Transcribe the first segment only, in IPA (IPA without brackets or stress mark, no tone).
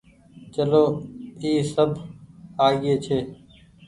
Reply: t͡ʃ